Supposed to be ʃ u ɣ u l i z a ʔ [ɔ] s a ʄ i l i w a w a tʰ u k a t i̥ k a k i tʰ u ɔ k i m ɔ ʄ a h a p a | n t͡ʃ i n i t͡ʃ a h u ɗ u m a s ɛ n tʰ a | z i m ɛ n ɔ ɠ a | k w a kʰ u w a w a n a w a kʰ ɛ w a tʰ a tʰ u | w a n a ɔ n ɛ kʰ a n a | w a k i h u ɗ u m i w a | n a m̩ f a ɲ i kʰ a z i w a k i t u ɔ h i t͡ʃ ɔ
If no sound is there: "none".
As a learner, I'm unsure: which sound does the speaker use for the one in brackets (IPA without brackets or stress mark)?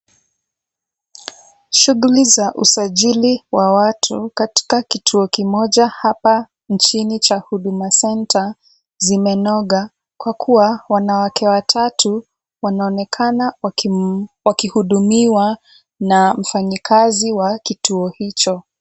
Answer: u